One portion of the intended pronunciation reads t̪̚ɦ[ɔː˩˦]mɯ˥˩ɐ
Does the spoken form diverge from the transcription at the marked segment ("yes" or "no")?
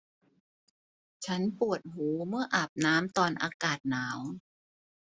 yes